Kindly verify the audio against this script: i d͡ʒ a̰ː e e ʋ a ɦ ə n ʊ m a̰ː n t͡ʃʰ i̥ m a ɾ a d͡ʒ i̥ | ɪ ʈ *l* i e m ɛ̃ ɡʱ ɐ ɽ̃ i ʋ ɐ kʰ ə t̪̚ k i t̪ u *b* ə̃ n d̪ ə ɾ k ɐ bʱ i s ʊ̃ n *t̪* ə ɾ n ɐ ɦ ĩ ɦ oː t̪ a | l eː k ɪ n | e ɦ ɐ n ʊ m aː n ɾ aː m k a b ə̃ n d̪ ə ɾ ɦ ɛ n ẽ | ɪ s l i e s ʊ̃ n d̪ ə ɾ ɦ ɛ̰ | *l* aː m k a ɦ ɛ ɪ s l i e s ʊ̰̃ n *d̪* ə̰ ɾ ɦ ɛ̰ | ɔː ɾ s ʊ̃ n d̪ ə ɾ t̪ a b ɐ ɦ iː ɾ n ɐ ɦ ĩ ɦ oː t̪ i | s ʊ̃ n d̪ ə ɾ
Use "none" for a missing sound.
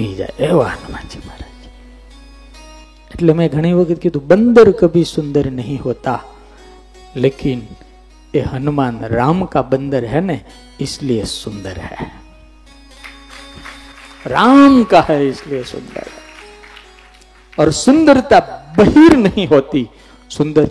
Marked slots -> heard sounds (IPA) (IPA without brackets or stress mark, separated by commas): l, b, d̪, ɾ, d̪